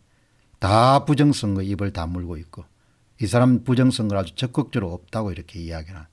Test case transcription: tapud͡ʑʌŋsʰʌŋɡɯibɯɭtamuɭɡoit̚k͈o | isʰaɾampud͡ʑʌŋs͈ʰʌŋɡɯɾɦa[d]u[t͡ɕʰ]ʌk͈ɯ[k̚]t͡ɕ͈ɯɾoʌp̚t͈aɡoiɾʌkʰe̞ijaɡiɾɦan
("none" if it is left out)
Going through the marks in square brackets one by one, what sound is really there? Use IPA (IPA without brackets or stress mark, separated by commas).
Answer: d͡ʑ, t͡ɕ, k̚